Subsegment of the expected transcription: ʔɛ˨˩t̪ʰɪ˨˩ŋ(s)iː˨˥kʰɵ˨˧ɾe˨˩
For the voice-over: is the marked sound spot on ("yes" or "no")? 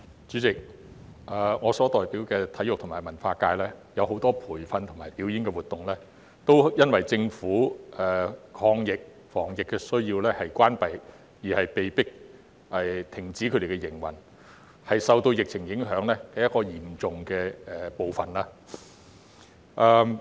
no